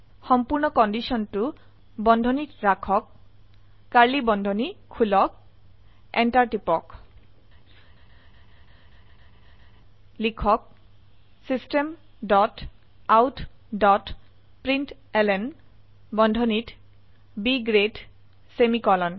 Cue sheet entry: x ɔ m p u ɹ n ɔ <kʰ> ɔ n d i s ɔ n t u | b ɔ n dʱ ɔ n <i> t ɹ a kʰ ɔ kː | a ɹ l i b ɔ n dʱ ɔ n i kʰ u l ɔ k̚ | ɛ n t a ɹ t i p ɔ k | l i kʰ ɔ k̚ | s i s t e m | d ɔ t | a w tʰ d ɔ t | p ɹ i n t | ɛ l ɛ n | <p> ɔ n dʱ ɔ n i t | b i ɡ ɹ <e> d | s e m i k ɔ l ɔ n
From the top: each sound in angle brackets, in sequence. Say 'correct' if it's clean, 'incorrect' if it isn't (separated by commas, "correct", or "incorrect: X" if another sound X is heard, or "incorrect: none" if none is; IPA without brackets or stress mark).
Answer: incorrect: k, correct, incorrect: b, correct